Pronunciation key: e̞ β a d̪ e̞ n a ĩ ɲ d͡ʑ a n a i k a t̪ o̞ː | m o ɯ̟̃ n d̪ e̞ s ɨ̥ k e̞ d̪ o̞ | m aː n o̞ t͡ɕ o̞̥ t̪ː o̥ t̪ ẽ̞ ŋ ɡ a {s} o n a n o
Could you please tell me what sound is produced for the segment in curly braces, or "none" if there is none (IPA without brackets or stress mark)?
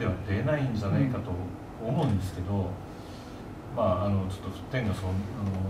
s